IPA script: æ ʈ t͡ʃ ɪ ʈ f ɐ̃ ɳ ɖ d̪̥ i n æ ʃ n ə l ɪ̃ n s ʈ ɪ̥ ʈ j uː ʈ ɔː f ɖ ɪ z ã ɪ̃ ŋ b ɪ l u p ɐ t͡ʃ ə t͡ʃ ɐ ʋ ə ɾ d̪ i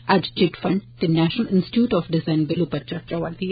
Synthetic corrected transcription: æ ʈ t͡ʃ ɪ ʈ f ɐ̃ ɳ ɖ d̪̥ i n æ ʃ n ə l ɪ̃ n s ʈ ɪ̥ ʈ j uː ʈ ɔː f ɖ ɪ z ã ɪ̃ n b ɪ l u p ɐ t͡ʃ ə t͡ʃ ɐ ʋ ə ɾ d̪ i